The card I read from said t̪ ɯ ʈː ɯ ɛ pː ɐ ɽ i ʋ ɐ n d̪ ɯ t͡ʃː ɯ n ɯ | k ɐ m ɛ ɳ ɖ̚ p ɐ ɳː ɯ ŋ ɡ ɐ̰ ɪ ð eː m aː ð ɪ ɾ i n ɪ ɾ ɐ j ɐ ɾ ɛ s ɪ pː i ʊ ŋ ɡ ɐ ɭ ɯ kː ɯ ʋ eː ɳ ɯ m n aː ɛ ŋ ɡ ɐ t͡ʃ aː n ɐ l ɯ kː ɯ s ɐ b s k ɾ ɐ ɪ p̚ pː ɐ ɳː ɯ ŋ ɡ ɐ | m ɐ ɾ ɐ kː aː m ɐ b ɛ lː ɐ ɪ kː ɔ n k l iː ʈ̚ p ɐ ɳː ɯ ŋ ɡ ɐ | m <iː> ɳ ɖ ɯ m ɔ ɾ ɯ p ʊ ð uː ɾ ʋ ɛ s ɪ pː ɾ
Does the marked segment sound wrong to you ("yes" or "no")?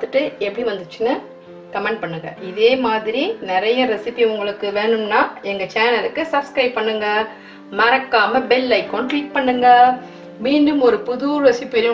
no